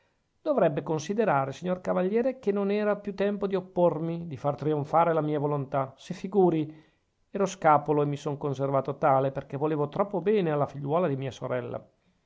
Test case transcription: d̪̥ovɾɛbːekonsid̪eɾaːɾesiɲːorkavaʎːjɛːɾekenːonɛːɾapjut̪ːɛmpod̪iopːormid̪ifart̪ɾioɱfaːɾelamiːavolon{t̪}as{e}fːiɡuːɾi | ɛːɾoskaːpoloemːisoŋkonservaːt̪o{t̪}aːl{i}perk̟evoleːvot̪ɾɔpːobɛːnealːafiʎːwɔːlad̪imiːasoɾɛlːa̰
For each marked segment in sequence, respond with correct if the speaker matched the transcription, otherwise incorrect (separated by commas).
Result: correct, correct, correct, incorrect